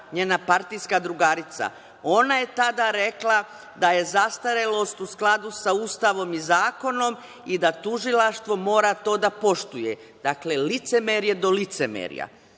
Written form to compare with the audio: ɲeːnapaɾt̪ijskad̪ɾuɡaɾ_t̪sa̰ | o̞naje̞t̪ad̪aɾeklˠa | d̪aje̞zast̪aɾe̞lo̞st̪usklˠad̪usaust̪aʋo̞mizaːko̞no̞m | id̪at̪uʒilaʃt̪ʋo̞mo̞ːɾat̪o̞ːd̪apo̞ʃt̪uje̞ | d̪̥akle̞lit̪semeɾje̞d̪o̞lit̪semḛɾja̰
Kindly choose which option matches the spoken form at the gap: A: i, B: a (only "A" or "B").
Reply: A